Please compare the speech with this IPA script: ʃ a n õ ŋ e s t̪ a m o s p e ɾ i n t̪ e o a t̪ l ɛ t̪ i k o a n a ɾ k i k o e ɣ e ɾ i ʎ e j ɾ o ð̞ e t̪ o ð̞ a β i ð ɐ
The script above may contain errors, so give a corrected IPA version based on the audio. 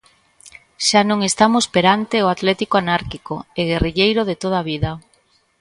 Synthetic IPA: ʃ a n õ ŋ e s t̪ a m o s p e ɾ a n t̪ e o a t̪ l ɛ t̪ i k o a n a ɾ k i k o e ɣ e r i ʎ e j ɾ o ð̞ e t̪ o ð̞ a β i ð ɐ